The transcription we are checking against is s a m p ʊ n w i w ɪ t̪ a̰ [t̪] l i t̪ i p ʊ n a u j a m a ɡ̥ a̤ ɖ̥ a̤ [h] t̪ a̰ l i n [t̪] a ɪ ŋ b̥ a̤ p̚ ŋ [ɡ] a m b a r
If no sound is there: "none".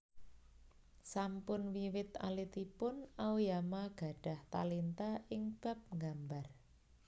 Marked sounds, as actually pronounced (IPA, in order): none, h, t̪, ɡ

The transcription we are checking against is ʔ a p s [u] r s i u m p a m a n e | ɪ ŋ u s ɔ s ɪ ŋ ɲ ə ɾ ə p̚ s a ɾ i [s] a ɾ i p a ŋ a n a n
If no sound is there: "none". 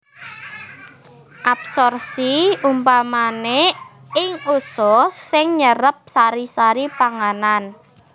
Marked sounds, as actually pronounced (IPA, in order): ɔ, s

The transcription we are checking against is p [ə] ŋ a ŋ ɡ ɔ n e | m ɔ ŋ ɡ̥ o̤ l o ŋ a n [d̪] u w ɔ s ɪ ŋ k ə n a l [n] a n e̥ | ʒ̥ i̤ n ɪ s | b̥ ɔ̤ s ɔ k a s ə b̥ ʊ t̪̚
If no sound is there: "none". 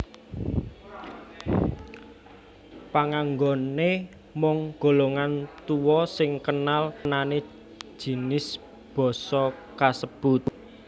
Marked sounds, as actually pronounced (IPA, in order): a, t̪, n

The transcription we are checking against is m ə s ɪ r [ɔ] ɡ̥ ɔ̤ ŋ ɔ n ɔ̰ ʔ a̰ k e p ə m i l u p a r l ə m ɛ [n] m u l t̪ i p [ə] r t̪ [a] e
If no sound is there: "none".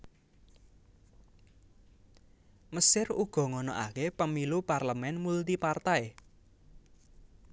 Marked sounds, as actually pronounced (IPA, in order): u, n, a, a

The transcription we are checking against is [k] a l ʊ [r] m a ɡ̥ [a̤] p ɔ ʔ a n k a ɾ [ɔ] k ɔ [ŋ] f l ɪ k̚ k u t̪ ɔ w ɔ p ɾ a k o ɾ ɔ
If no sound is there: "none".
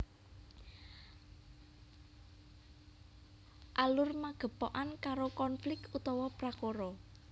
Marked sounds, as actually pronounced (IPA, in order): ʔ, r, ə̤, o, n

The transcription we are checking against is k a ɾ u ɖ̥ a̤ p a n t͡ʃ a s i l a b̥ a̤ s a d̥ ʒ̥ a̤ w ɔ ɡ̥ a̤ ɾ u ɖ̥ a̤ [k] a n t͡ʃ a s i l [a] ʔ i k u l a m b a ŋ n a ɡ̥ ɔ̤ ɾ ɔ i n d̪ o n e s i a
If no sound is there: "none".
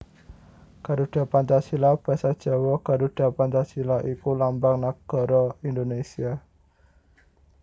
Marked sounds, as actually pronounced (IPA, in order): p, a

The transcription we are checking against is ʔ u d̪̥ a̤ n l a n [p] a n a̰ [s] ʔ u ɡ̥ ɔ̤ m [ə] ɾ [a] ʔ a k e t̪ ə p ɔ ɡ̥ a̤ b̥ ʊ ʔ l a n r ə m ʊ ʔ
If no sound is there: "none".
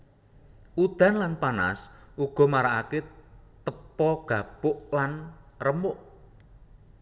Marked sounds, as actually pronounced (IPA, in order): p, s, a, a

